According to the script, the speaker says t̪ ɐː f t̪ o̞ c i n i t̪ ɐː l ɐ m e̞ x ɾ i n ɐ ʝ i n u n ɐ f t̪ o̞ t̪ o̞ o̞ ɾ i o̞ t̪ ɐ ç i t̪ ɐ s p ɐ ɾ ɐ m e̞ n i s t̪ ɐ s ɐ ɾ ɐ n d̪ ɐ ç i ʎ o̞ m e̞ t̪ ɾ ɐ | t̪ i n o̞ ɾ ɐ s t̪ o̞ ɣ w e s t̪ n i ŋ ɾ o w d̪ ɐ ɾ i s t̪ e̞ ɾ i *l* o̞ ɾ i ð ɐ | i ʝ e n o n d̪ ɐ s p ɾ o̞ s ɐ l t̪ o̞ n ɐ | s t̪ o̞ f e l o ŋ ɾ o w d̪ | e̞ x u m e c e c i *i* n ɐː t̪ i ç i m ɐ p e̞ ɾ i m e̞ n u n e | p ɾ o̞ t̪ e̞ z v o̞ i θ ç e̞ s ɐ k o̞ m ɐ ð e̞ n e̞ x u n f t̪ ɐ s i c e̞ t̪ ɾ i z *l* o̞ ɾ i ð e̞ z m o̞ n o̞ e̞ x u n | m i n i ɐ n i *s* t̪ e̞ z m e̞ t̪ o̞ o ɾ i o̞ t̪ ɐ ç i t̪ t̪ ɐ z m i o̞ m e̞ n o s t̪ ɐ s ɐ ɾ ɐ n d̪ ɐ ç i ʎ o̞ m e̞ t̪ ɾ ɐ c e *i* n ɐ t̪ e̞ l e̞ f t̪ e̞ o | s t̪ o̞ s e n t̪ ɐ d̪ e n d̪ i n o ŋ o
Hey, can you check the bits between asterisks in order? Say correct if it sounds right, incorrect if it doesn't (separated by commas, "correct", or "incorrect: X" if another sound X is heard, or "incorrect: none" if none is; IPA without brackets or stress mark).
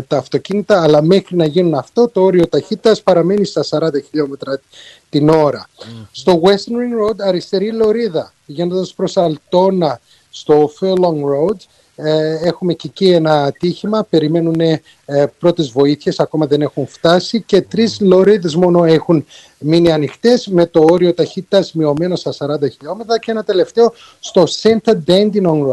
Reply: correct, incorrect: e, correct, incorrect: x, incorrect: e